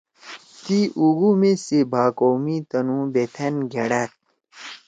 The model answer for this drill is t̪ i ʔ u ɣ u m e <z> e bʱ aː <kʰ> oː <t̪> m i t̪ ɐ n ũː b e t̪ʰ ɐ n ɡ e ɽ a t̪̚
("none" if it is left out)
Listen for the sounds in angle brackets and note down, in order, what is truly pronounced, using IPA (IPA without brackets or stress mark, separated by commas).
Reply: s, k, none